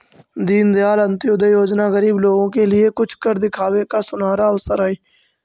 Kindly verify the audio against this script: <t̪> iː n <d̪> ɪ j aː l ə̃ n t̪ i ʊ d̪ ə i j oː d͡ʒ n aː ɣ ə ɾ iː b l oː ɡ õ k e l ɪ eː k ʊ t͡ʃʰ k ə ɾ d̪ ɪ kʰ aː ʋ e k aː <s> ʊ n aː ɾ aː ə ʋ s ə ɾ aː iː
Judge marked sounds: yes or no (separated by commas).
no, yes, yes